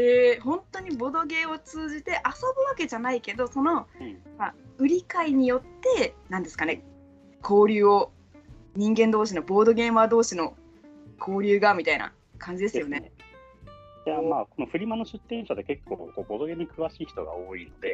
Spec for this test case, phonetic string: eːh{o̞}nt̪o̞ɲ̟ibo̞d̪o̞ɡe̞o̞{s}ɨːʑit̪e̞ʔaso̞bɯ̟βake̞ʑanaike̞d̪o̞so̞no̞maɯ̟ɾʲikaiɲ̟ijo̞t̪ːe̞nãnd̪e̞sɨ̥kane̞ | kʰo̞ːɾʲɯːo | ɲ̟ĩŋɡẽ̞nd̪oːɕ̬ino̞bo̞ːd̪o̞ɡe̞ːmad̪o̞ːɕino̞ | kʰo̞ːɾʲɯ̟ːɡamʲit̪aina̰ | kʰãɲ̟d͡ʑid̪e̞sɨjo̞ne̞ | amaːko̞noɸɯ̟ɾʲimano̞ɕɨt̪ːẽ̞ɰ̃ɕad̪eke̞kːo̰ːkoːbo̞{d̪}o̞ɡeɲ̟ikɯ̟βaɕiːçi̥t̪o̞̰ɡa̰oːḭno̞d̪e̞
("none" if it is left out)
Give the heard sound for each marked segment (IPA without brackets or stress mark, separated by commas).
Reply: õ̞, t͡s, d̪